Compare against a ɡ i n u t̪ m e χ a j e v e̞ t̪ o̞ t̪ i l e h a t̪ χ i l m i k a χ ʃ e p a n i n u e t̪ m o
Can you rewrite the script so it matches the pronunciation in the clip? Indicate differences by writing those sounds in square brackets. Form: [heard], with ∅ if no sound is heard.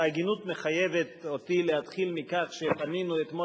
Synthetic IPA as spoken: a ɡ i n u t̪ m e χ a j e v e̞ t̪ o̞ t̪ i l e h a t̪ χ i l m i k a χ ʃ e p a n i n u e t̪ m o